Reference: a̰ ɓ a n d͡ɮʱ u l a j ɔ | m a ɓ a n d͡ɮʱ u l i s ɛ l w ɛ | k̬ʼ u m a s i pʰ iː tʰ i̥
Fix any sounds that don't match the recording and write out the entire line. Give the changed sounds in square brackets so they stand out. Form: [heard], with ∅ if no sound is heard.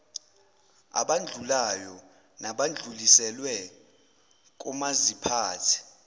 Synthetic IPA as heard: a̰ ɓ a n d͡ɮʱ u l a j ɔ | [n] a ɓ a n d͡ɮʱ u l i s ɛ l w ɛ | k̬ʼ u m a [z] i pʰ [aː] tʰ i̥